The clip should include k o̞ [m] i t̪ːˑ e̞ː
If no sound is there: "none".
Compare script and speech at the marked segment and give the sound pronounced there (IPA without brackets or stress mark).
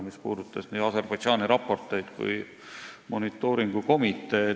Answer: m